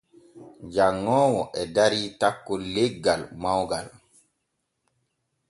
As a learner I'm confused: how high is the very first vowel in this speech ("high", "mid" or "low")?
low